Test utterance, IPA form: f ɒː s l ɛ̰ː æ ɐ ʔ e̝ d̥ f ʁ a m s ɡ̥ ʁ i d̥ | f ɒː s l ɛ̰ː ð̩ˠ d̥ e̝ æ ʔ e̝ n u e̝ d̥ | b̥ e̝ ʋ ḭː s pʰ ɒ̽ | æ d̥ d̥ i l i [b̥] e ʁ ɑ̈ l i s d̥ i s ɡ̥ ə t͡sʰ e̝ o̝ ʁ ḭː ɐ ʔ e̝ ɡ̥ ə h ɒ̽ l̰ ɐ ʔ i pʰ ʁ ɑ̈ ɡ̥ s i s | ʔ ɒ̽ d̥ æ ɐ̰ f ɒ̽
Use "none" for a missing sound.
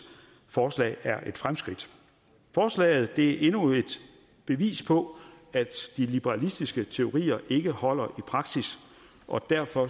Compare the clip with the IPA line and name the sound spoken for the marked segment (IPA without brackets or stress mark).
b̥